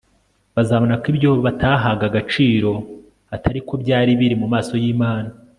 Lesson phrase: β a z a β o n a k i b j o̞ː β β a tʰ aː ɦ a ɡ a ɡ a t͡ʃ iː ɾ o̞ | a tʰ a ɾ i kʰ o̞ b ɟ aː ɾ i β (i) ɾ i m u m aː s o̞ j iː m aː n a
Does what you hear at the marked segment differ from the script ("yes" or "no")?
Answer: no